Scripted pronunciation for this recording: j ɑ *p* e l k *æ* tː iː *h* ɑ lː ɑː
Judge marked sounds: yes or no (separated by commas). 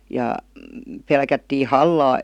yes, yes, yes